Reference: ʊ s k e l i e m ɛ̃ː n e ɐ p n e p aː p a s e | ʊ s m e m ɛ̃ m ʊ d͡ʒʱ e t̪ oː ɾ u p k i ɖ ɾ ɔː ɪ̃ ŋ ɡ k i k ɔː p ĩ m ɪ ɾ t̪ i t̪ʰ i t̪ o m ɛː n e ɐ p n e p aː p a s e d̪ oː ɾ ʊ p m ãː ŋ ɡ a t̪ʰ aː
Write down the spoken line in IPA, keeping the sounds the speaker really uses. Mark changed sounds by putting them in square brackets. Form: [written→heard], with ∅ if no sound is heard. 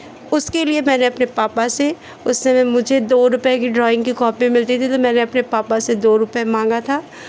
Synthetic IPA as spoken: ʊ s k e l i e m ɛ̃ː n e ɐ p n e p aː p a s e | ʊ s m e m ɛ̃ m ʊ d͡ʒʱ e [t̪→d̪] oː ɾ [u→ʊ] p k i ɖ ɾ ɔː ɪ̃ ŋ ɡ k i k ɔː p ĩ m ɪ [ɾ→l] t̪ i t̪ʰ i t̪ o m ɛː n e ɐ p n e p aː p a s e d̪ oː ɾ ʊ p m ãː ŋ ɡ a t̪ʰ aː